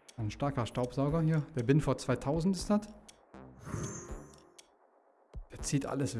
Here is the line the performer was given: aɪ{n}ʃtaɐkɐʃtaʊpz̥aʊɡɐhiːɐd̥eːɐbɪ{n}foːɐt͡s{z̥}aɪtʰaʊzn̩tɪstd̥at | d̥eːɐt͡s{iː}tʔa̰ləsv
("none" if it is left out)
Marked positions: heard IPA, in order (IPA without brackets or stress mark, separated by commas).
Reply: n, n, v̥, iː